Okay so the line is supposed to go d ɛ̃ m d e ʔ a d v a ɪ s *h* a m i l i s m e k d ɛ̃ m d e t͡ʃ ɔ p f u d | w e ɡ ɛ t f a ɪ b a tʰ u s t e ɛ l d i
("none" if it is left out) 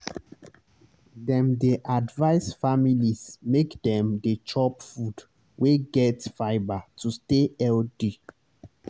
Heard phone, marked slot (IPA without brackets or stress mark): f